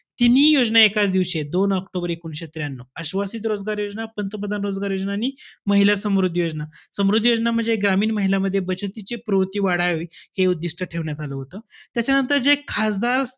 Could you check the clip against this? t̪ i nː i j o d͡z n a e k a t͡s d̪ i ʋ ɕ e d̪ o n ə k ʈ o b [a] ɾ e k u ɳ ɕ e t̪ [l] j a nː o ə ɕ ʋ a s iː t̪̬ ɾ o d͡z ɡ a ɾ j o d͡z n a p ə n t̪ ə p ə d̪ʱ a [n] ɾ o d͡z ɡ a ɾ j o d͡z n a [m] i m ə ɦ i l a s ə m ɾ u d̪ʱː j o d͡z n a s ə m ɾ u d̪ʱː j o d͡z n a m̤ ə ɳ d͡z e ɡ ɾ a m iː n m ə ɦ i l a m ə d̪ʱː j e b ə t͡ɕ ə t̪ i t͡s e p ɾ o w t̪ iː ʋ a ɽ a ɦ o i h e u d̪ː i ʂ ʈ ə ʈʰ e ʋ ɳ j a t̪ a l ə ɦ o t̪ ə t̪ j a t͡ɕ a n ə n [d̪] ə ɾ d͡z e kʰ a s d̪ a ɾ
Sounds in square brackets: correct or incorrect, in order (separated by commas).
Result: incorrect, incorrect, correct, incorrect, incorrect